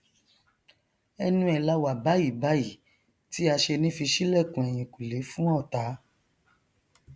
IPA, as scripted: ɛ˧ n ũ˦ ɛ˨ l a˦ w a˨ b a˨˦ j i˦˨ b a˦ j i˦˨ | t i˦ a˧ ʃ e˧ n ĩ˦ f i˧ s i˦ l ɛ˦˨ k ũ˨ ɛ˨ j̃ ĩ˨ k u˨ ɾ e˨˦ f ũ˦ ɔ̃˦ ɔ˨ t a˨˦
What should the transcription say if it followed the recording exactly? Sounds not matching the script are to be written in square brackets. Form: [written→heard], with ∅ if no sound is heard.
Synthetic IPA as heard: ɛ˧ n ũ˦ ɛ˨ l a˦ w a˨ b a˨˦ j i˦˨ b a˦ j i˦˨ | t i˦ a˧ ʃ e˧ n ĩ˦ f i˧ [s→ʃ] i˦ l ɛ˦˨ k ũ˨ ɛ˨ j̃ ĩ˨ k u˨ [ɾ→l] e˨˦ f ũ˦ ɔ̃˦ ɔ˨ t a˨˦